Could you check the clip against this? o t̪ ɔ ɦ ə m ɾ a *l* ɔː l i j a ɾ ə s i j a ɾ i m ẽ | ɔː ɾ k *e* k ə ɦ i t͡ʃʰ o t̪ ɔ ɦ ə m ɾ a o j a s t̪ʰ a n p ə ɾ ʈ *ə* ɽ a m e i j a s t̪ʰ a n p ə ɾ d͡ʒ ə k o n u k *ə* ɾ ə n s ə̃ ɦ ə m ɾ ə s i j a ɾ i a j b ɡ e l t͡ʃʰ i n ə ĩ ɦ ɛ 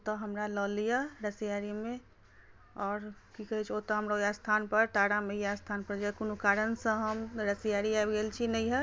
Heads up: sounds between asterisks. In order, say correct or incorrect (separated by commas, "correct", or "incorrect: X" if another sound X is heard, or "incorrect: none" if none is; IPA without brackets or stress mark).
correct, incorrect: i, incorrect: a, incorrect: a